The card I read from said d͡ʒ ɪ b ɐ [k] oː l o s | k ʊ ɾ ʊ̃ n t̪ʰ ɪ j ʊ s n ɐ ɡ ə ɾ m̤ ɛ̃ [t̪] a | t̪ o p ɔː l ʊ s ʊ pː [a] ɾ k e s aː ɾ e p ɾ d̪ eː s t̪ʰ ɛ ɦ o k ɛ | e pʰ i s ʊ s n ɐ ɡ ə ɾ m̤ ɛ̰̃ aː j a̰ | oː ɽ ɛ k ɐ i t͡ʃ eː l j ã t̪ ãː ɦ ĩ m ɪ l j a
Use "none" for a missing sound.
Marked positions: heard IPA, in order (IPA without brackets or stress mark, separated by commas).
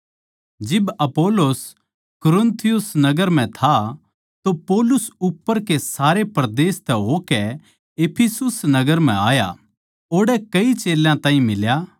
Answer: p, t̪ʰ, ə